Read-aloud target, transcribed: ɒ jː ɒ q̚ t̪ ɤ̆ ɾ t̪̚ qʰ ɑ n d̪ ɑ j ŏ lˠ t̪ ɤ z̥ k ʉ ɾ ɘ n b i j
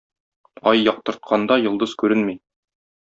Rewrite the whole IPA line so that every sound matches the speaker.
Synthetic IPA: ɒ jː ɒ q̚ t̪ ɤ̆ ɾ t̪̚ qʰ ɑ n d̪ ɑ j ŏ lˠ d̪ ɤ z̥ k ʉ ɾ ɘ n m i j

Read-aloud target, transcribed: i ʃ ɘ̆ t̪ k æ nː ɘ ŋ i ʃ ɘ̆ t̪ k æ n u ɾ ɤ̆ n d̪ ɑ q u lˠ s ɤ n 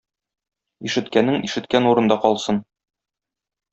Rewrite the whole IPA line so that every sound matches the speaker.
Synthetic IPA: i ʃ ɘ̆ t̪ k æ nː ɘ ŋ i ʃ ɘ̆ t̪ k æ n u ɾ ɤ̆ n d̪ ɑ q ɒ lˠ s ɤ n

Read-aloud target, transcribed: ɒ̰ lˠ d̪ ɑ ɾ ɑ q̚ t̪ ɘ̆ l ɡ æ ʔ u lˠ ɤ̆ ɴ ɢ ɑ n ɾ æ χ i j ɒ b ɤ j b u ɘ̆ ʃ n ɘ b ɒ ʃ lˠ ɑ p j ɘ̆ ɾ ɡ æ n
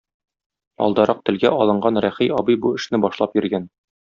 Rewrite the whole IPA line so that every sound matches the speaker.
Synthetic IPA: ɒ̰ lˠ d̪ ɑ ɾ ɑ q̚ t̪ ɘ̆ l ɡ æ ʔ ɒ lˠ ɤ̆ ɴ ɢ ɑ n ɾ æ χ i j ɒ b ɤ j b u ɘ̆ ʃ n ɘ b ɒ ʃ lˠ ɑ p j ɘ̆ ɾ ɡ æ n

